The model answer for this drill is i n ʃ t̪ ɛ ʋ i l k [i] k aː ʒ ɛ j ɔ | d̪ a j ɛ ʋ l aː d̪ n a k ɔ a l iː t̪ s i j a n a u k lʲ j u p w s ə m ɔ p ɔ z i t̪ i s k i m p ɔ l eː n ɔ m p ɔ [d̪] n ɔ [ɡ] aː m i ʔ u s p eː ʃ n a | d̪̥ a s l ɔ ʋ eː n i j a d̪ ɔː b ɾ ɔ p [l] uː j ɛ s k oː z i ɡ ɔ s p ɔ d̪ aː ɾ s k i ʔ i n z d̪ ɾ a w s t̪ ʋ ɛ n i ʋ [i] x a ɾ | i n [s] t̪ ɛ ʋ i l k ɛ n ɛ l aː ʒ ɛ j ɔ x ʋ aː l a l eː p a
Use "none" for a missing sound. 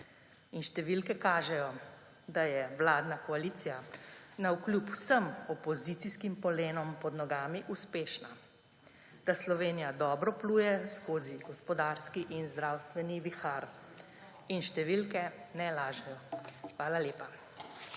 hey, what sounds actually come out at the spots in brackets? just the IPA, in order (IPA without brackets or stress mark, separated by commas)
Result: ɛ, d̪, ɡ, l, i, ʃ